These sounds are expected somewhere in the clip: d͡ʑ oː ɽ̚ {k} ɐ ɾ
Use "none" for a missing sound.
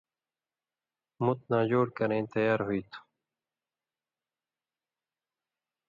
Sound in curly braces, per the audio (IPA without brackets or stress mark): k